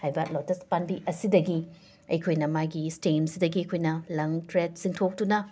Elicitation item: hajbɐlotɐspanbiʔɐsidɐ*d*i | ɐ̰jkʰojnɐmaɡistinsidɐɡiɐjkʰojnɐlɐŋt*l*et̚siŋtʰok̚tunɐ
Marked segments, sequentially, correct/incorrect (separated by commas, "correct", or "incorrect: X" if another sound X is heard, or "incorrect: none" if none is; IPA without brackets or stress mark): incorrect: ɡ, incorrect: ɾ